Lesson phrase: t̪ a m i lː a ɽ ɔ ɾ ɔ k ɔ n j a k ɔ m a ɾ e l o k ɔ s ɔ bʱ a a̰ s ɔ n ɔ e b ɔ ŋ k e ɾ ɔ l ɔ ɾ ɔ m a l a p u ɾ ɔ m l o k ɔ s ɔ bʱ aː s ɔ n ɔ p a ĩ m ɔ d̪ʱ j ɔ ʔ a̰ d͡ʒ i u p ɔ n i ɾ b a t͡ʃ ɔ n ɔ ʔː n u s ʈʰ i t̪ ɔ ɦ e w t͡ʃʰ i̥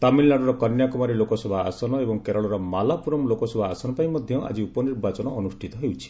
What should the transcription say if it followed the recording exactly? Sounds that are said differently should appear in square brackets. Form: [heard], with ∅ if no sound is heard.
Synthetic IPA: t̪ a m i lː a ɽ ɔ ɾ ɔ k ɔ n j a k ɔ m a ɾ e l o k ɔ s ɔ bʱ a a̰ s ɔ n ɔ e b ɔ ŋ k e ɾ ɔ [ɭ] ɔ ɾ ɔ m a l a p u ɾ ɔ m l o k ɔ s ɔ bʱ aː s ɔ n ɔ p a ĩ m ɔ d̪ʱ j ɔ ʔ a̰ d͡ʒ i u p ɔ n i ɾ b a t͡ʃ ɔ n ɔ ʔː n u s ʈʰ i t̪ ɔ ɦ e w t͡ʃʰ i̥

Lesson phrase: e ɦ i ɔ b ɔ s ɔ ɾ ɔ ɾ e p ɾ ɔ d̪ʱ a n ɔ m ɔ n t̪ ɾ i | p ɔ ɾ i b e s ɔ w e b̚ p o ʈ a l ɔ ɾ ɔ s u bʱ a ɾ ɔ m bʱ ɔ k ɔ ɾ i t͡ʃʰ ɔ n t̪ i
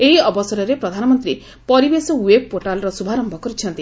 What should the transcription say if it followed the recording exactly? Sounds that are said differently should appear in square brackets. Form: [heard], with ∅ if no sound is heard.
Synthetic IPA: e ɦ i ɔ b ɔ s ɔ ɾ ɔ ɾ e p ɾ ɔ d̪ʱ a n ɔ m ɔ n t̪ ɾ i | p ɔ ɾ i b e s ɔ w e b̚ p o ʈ a l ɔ ɾ ɔ s u bʱ a ɾ ɔ m bʱ ɔ k ɔ ɾ i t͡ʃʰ ɔ n t̪ i

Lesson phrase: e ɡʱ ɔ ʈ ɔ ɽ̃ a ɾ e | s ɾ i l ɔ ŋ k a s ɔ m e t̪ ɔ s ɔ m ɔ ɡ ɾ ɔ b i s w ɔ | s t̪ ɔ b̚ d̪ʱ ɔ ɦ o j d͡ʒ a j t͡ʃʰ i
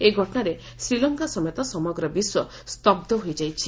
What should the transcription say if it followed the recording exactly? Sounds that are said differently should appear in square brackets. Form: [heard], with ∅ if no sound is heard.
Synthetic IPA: e ɡʱ ɔ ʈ ɔ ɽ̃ a ɾ e | s ɾ i l ɔ ŋ k a s ɔ m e t̪ ɔ s ɔ m ɔ ɡ ɾ ɔ b i s w ɔ | s t̪ ɔ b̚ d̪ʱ ɔ ɦ o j d͡ʒ a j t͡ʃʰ i

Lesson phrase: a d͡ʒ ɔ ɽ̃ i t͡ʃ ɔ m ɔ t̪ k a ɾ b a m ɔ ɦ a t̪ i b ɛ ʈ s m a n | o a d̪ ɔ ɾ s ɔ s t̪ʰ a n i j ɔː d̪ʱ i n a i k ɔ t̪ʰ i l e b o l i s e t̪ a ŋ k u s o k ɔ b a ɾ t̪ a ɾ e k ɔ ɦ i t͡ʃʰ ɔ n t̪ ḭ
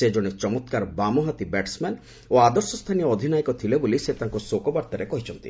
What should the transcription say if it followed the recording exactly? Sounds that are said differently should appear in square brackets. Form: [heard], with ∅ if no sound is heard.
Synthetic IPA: [e] d͡ʒ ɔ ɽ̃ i t͡ʃ ɔ m ɔ t̪ k a ɾ b a m ɔ ɦ a t̪ i b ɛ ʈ s m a n | o a d̪ ɔ ɾ s ɔ s t̪ʰ a n i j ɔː d̪ʱ i n a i k ɔ t̪ʰ i l e b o l i s e t̪ a ŋ k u s o k ɔ b a ɾ t̪ a ɾ e k ɔ ɦ i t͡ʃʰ ɔ n t̪ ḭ

